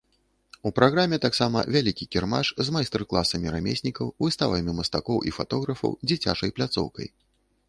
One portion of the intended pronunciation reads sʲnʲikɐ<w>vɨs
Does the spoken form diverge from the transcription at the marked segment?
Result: no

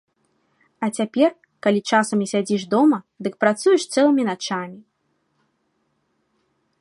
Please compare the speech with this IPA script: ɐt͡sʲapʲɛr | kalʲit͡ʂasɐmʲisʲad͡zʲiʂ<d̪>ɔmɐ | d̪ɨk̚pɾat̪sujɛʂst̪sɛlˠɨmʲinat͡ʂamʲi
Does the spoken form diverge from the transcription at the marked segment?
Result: no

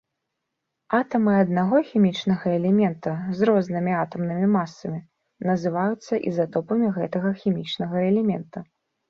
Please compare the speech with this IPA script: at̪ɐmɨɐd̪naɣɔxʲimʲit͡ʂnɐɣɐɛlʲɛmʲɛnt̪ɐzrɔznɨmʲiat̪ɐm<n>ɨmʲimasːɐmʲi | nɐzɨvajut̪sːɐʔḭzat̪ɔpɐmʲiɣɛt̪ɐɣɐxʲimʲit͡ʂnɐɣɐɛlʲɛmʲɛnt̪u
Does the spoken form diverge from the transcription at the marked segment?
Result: no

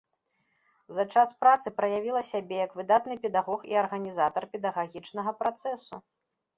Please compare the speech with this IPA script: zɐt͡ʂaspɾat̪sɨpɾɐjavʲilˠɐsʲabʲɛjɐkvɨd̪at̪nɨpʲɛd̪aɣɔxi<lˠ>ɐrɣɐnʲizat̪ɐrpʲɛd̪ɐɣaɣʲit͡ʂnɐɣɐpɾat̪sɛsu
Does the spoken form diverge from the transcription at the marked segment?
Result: yes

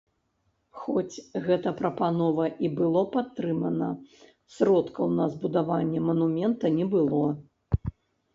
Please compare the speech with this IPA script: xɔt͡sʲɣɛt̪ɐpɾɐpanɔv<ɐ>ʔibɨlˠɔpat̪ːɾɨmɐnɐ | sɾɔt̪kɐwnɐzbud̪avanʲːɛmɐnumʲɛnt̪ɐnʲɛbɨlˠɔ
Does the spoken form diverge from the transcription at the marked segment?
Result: no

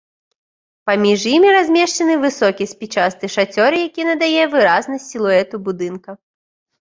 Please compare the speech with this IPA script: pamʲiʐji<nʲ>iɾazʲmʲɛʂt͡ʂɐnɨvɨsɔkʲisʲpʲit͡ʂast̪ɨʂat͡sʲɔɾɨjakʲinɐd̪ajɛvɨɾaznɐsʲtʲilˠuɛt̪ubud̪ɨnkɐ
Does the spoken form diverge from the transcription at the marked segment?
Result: yes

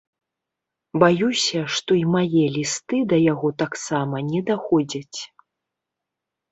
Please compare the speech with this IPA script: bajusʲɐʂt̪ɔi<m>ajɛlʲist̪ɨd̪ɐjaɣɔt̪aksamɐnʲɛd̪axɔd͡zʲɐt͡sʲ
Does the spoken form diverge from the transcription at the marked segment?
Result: no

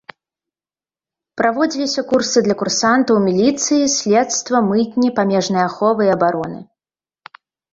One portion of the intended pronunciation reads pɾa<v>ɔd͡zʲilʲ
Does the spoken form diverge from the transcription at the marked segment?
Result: no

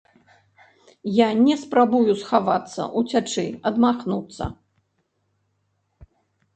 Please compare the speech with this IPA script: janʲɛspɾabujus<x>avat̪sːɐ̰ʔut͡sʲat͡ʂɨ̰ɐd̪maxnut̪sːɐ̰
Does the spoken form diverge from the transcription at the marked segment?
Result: no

